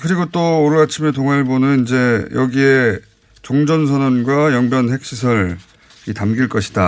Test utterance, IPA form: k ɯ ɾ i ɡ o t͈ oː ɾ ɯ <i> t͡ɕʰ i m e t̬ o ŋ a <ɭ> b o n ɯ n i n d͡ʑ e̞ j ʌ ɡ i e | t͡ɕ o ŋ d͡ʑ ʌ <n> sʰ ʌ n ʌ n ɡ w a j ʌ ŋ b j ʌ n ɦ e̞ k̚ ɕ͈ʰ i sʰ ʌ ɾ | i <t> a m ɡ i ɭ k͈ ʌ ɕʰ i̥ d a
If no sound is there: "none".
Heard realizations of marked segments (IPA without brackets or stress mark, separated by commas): a, ɭ, n, t